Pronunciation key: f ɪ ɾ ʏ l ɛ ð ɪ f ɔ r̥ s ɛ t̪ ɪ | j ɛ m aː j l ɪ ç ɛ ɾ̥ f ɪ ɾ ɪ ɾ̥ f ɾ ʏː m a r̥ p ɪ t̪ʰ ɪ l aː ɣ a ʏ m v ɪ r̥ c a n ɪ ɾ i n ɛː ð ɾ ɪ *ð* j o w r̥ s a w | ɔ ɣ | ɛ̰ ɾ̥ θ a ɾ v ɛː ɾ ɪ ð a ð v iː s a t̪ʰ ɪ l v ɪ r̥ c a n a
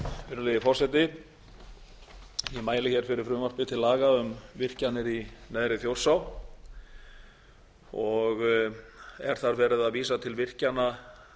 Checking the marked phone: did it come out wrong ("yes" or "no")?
yes